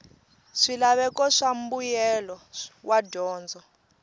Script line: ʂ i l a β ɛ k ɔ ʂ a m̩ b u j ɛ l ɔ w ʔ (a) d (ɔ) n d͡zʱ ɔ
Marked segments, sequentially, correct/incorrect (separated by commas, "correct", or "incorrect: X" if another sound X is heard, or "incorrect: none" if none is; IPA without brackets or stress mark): correct, incorrect: ɔː